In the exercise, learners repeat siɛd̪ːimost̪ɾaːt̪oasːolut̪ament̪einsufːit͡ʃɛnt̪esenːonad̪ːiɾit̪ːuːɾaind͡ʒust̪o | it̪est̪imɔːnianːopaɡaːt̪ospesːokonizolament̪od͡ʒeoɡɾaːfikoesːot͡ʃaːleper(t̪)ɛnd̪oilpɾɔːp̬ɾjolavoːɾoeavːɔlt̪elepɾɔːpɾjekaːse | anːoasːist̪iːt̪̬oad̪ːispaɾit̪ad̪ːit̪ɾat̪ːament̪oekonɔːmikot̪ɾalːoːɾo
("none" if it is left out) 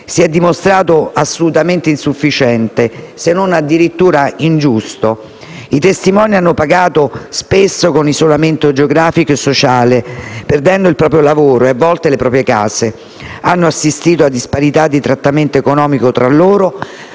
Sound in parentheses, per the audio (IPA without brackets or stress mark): d̪